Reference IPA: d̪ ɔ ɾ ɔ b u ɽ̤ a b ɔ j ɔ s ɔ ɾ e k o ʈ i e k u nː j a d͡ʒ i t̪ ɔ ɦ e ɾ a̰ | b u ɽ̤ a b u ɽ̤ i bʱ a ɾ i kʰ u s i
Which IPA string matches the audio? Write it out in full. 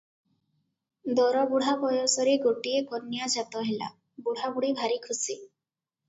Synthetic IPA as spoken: d̪ ɔ ɾ ɔ b u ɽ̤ a b ɔ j ɔ s ɔ ɾ e ɡ o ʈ i e k ɔ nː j a d͡ʒ a t̪ ɔ ɦ e l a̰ | b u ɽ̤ a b u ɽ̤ i bʱ a ɾ i kʰ u s i